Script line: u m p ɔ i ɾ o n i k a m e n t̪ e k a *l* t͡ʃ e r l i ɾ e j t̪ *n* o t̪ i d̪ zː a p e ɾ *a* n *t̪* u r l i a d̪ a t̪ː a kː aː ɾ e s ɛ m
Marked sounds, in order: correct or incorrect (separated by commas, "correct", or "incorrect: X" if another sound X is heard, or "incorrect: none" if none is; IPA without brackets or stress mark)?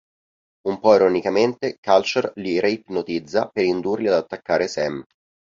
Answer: correct, correct, incorrect: i, incorrect: d̪